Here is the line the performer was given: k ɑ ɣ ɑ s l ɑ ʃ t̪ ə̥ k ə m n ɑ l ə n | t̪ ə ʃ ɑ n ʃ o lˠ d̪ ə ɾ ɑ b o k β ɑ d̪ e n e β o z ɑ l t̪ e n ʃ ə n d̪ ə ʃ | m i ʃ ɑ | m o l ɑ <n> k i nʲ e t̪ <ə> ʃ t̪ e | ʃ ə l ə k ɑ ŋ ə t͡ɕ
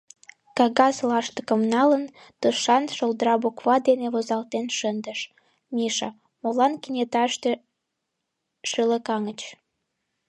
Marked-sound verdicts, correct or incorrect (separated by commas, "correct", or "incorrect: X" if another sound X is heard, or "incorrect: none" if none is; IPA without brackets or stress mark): correct, incorrect: ɑ